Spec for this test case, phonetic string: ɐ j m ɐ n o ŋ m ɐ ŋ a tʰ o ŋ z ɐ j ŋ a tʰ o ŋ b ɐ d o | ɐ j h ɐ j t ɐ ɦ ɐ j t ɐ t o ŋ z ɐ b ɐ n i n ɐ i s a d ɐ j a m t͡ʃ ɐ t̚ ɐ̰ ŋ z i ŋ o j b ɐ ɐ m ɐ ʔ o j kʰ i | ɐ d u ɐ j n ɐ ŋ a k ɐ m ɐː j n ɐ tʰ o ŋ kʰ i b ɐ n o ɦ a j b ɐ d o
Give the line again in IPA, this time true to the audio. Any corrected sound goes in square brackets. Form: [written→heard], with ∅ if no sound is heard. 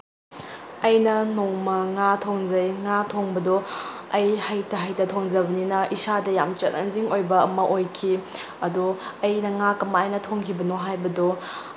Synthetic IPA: ɐ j [m→n] ɐ n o ŋ m ɐ ŋ a tʰ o ŋ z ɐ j ŋ a tʰ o ŋ b ɐ d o | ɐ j h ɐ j t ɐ ɦ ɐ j t ɐ [t→tʰ] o ŋ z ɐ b ɐ n i n ɐ i s a d ɐ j a m t͡ʃ ɐ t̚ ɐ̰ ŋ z i ŋ o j b ɐ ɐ m ɐ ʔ o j kʰ i | ɐ d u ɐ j n ɐ ŋ a k ɐ m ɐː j n ɐ tʰ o ŋ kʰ i b ɐ n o ɦ a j b ɐ d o